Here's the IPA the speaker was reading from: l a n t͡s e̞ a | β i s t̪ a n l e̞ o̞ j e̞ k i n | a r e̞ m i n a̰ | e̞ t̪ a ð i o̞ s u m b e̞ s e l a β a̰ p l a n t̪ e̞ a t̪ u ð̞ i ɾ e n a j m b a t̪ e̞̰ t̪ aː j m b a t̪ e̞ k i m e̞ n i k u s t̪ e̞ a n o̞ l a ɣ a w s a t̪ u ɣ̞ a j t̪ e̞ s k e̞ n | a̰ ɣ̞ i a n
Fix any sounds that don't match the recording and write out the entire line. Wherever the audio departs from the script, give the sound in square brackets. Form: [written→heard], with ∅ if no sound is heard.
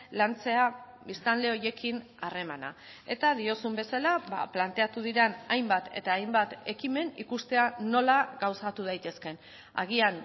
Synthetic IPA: l a n t͡s e̞ a | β i s t̪ a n l e̞ o̞ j e̞ k i n | a r e̞ m [i→a] n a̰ | e̞ t̪ a ð i o̞ s u m b e̞ s [e→a] l a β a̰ p l a n t̪ e̞ a t̪ u ð̞ i ɾ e n a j m b a t̪ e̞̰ t̪ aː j m b a t̪ e̞ k i m e̞ n i k u s t̪ e̞ a n o̞ l a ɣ a w s a t̪ u [ɣ̞→ð̞] a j t̪ e̞ s k e̞ n | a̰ ɣ̞ i a n